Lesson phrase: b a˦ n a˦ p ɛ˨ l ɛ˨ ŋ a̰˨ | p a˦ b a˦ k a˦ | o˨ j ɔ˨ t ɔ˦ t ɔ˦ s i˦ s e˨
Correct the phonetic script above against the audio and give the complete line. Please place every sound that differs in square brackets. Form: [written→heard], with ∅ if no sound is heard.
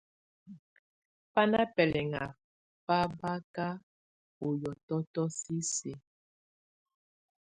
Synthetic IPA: [b→p] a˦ n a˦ p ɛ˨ l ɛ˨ ŋ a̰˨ | p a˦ b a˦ k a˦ | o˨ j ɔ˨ t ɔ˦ t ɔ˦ s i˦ s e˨